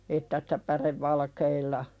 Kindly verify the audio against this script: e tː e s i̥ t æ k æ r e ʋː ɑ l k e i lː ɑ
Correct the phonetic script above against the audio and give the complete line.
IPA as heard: e tː æ s i̥ t æ p æ r e ʋː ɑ l k e i lː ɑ

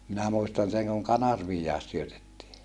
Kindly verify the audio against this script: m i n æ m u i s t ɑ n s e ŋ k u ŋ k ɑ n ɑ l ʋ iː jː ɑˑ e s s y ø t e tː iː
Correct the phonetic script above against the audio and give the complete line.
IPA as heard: m i n æ m u i s t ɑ n s e ŋ k u ŋ k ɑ n ɑ r ʋ iː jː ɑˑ e s s y ø t e tː iː

